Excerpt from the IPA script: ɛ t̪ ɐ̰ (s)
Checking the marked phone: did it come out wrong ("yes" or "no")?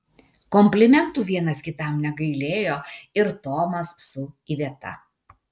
yes